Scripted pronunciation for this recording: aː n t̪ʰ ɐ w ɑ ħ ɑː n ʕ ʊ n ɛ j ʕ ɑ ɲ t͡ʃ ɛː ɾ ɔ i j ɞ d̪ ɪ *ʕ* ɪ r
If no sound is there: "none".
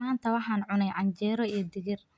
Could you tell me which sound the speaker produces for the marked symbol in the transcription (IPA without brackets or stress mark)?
ɣ